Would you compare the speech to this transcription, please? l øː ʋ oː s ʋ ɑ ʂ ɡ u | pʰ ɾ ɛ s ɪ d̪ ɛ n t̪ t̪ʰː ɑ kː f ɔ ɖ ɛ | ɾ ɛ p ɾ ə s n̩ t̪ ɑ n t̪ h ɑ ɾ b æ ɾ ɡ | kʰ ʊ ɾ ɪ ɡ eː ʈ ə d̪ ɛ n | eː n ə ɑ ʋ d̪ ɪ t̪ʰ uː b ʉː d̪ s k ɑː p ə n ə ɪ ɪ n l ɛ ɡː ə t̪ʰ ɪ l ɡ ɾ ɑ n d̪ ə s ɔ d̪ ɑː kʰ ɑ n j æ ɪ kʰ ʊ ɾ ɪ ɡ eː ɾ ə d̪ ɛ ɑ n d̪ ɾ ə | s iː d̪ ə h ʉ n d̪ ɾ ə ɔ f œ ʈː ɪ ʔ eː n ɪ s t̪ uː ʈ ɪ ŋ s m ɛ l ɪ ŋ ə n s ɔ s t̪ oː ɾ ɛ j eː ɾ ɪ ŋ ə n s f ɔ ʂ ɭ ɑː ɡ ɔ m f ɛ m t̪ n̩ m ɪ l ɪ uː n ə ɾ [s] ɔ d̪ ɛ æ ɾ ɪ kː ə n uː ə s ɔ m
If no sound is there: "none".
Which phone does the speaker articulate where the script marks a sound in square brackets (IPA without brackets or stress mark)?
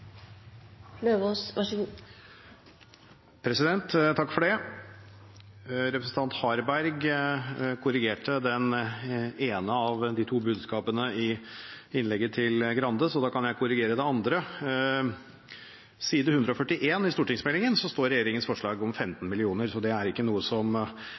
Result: s